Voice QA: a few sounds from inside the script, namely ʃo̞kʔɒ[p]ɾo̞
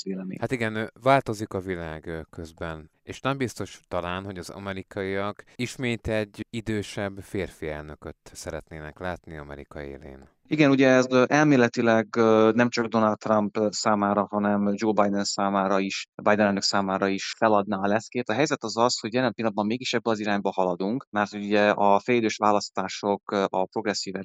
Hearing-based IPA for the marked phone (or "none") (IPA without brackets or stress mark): p